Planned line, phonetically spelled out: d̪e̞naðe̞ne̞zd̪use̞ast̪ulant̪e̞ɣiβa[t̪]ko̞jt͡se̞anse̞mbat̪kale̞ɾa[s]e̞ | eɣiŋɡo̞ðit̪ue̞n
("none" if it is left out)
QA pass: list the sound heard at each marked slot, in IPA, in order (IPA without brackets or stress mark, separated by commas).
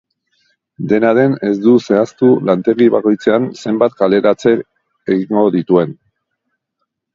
none, t͡s